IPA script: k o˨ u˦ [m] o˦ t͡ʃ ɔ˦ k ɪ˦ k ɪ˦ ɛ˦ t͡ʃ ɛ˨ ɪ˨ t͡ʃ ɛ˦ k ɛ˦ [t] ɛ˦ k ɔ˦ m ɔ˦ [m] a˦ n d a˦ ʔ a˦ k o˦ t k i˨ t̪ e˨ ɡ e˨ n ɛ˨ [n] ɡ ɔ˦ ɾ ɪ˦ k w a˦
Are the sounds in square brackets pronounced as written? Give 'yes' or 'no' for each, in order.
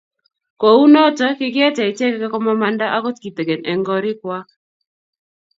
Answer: no, no, yes, no

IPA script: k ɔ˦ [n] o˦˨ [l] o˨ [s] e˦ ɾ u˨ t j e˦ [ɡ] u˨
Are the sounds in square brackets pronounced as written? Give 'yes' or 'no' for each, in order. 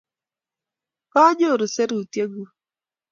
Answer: no, no, yes, yes

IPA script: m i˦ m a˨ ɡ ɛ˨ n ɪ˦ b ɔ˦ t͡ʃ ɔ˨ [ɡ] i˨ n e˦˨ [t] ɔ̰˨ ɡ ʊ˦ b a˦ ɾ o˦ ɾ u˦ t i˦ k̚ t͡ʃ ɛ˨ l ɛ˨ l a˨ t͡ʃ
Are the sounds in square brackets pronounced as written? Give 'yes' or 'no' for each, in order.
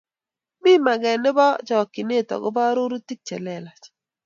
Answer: no, yes

